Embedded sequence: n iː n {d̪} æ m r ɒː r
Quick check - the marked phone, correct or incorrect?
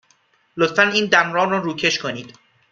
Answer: correct